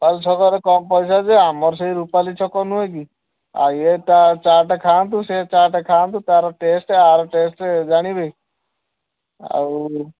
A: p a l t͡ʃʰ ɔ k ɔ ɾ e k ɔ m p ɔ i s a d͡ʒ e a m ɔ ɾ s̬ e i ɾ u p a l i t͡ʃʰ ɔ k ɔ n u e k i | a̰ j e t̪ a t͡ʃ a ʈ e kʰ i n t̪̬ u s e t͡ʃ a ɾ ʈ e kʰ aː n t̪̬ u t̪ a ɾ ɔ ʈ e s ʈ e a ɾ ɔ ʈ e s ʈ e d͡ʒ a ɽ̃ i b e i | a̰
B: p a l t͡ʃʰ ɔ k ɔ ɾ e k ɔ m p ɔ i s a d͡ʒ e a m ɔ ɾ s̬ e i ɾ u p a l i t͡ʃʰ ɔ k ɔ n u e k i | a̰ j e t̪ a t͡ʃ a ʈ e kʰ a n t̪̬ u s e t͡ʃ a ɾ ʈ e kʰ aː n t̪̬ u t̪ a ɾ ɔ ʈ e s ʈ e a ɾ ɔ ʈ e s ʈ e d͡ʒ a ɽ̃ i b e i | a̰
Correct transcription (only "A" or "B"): B